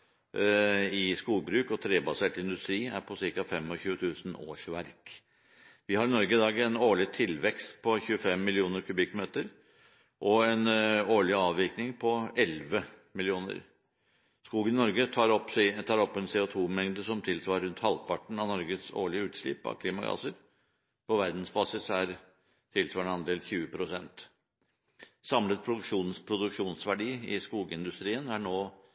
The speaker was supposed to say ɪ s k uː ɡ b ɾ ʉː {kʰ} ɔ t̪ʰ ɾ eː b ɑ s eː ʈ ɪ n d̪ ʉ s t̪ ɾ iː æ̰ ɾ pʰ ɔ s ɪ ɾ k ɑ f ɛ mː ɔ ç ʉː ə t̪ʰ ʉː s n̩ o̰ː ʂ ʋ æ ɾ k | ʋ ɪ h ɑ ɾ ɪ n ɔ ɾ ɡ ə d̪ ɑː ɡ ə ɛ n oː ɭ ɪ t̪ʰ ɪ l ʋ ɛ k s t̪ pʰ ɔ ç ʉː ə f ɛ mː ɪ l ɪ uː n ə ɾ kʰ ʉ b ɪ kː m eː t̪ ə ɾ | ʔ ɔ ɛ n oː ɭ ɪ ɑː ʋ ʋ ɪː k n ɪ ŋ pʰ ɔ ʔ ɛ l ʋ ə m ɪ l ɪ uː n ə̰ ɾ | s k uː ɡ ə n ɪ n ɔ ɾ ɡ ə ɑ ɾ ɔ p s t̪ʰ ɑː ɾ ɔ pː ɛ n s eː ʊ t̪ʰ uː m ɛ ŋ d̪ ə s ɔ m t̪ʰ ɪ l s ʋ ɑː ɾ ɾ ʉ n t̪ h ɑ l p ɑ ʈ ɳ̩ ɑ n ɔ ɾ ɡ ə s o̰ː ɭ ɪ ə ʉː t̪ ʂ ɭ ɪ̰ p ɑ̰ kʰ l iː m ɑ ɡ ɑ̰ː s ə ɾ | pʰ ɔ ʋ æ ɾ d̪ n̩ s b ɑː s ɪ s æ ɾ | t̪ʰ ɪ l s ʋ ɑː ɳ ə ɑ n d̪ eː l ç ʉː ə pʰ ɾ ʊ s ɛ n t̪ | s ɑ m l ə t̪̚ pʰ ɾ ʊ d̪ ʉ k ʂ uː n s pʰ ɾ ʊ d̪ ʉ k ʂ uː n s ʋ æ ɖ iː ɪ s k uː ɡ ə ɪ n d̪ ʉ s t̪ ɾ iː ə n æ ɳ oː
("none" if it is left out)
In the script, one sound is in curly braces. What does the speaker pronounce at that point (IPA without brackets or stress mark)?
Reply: k